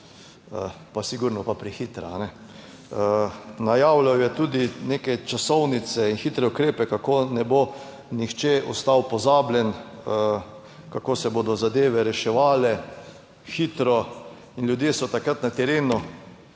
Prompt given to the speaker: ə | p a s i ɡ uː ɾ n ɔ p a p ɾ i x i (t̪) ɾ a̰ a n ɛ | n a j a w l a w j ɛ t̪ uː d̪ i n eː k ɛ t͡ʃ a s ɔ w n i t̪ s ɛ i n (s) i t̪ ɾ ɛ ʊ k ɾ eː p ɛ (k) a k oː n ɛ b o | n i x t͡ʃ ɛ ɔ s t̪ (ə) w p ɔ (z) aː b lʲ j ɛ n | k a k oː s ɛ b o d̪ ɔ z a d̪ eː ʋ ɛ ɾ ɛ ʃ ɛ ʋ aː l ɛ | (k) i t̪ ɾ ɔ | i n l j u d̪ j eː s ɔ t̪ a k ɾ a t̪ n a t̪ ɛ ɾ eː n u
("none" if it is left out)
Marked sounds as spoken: t̪, x, k, a, z, x

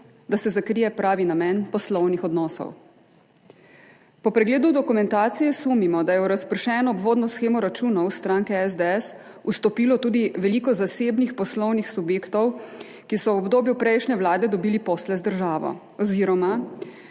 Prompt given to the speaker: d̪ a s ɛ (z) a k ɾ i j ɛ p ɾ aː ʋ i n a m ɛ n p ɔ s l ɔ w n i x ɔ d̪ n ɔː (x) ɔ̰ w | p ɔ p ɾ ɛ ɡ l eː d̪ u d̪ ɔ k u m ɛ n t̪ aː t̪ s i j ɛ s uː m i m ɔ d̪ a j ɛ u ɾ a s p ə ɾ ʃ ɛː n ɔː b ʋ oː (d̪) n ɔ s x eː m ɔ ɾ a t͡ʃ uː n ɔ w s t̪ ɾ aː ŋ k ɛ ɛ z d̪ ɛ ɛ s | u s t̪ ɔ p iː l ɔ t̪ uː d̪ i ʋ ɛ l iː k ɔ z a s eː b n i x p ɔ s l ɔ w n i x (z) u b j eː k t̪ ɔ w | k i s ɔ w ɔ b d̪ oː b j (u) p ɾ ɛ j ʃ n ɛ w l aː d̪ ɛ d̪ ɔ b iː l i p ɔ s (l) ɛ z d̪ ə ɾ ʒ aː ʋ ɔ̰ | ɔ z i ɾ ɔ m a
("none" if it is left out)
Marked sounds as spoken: z, s, d̪, s, u, l

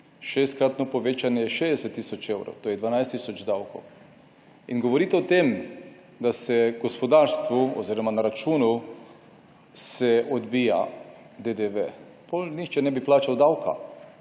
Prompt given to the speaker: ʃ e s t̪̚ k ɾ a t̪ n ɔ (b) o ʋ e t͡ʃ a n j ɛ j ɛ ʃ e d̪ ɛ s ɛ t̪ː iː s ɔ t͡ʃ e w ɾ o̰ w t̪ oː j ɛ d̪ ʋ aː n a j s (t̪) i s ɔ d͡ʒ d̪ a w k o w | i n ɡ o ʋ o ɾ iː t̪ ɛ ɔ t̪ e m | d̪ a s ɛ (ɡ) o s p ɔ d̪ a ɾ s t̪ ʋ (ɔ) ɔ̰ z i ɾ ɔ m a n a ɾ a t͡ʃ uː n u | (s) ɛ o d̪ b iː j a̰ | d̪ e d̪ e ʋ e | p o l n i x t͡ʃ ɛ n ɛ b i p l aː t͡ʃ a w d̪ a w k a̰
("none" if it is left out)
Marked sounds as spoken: p, t̪, ɡ, u, s

